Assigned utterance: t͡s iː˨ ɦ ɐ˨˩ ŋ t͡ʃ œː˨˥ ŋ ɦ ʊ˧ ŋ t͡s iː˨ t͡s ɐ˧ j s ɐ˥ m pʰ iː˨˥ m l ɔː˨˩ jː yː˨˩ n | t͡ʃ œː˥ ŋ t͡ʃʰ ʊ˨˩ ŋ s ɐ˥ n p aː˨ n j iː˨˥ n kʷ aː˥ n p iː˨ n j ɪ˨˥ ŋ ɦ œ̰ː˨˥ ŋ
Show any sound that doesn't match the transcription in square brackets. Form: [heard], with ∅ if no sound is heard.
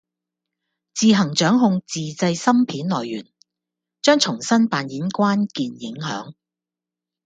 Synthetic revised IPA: t͡s iː˨ ɦ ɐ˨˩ ŋ t͡ʃ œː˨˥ ŋ ɦ ʊ˧ ŋ t͡s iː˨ t͡s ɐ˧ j s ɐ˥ m pʰ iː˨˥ [n] l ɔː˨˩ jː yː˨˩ n | t͡ʃ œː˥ ŋ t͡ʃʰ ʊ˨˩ ŋ s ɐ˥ n p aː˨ n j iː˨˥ n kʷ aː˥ n [k] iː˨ n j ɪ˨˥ ŋ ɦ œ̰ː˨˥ ŋ